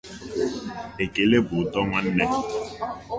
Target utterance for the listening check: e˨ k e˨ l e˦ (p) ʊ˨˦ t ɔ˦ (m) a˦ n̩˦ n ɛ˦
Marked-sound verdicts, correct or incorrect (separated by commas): incorrect, incorrect